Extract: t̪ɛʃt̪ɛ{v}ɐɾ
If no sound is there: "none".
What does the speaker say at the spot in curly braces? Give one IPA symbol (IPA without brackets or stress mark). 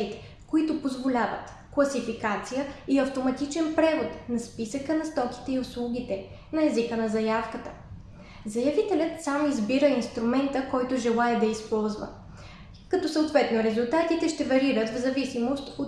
v